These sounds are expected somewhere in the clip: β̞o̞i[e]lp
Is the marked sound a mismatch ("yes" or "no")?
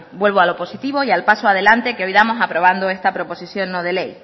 yes